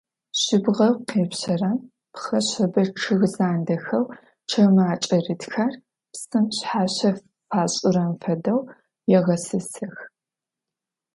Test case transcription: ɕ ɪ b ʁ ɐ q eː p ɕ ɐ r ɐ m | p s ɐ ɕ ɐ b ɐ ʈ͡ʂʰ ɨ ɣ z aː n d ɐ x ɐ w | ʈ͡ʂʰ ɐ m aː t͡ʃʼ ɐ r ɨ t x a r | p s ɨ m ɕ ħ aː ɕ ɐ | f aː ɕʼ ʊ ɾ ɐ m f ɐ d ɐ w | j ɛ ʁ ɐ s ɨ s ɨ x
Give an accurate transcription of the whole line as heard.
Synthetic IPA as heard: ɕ ɪ b ʁ ɐ q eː p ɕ ɐ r ɐ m | p x ɐ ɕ ɐ b ɐ ʈ͡ʂʰ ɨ ɣ z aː n d ɐ x ɐ w | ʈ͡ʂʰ ɐ m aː t͡ʃʼ ɐ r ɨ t x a r | p s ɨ m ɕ ħ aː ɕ ɐ | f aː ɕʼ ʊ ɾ ɐ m f ɐ d ɐ w | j ɛ ʁ ɐ s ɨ s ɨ x